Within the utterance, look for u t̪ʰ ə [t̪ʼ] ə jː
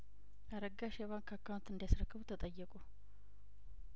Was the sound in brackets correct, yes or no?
yes